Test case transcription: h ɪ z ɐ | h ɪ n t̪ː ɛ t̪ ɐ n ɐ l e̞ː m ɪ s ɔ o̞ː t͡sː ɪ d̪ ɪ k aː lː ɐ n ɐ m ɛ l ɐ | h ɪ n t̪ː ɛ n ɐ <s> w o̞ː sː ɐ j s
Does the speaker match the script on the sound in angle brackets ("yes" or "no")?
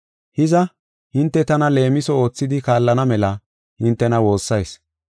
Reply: no